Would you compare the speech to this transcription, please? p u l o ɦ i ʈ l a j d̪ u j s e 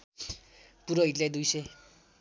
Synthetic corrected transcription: p u ɾ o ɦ i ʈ l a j d̪ u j s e